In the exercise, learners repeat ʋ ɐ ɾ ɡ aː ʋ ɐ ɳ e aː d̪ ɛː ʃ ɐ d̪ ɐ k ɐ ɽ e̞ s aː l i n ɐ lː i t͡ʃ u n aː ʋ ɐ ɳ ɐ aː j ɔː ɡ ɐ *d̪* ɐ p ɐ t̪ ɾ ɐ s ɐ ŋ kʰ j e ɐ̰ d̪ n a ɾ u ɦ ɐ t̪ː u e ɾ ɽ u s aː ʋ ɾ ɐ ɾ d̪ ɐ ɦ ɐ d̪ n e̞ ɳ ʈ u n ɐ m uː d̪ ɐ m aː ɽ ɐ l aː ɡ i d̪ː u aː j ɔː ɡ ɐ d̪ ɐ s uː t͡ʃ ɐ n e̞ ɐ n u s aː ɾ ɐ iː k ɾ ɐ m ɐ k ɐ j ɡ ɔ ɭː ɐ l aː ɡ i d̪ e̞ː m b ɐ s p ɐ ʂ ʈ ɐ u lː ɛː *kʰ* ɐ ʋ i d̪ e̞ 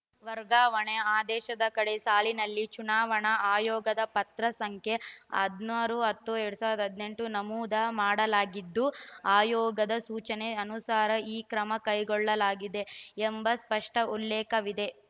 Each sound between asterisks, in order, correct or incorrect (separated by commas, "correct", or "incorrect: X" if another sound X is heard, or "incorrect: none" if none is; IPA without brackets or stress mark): correct, incorrect: k